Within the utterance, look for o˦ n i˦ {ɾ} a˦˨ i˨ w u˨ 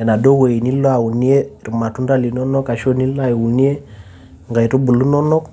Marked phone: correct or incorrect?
incorrect: l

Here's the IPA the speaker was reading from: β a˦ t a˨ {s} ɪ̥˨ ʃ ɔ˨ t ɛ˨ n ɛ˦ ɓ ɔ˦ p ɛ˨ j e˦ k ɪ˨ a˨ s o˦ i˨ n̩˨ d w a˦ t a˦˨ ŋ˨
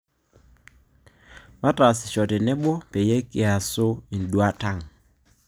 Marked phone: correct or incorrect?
correct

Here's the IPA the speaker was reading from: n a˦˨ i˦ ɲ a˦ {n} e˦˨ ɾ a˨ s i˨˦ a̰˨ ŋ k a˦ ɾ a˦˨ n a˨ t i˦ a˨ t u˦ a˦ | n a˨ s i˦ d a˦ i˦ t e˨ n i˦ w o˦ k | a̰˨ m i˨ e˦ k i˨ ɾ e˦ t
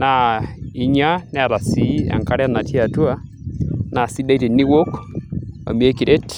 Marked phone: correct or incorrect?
correct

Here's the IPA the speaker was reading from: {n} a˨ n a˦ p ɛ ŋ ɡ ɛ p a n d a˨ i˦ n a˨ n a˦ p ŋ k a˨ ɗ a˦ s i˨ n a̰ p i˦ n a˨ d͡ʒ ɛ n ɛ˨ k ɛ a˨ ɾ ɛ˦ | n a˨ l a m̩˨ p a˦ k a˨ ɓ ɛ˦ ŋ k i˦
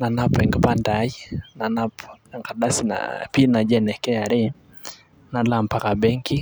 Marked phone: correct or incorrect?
correct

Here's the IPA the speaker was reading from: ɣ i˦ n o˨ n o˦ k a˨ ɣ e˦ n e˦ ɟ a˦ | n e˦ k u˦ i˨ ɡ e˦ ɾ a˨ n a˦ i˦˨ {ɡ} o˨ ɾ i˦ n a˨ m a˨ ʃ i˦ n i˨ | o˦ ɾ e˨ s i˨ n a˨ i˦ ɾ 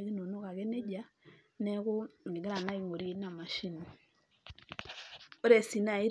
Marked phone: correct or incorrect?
incorrect: ŋ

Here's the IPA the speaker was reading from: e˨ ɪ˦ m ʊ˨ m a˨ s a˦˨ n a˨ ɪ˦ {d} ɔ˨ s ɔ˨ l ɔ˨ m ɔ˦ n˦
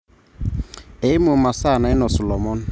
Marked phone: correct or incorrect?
incorrect: n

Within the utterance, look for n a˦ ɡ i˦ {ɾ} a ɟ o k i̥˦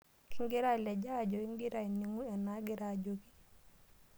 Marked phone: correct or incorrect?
correct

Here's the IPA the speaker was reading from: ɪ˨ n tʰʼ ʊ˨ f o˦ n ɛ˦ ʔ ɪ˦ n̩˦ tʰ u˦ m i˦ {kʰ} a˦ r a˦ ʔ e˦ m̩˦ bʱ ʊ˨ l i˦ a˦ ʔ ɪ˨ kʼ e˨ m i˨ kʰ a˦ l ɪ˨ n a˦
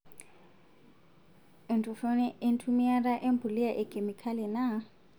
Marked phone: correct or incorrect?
incorrect: none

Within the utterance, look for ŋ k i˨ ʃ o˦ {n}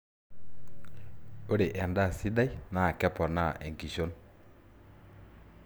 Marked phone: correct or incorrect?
correct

